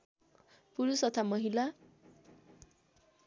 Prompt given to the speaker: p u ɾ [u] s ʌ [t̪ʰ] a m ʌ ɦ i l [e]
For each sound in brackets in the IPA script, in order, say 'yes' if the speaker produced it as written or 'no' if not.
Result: yes, yes, no

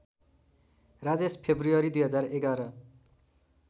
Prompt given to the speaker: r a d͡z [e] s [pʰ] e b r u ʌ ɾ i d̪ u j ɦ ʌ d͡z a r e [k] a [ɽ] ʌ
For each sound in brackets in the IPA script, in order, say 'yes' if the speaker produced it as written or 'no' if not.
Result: yes, yes, no, no

